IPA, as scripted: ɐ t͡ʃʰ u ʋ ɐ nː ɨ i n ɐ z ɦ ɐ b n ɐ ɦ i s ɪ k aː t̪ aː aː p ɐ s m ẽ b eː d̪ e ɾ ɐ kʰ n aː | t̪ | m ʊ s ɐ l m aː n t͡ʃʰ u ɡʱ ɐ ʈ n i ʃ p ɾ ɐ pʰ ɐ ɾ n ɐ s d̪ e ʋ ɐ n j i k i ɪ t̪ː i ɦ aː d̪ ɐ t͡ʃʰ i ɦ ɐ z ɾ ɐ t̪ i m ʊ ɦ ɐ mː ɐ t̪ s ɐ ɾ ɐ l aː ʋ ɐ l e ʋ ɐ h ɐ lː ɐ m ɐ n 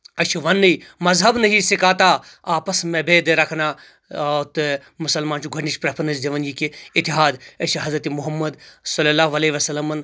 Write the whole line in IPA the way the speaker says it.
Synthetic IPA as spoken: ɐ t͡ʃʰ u ʋ ɐ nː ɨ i m ɐ z ɦ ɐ b n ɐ ɦ i s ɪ k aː t̪ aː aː p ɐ s m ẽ b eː d̪ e ɾ ɐ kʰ n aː | t̪ | m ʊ s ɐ l m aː n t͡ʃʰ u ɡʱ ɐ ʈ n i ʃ p ɾ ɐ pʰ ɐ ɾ n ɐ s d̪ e ʋ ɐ n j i k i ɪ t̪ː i ɦ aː d̪ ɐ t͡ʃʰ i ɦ ɐ z ɾ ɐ t̪ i m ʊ ɦ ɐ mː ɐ d̪ s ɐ l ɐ l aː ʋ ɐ l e ʋ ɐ s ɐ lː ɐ m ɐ n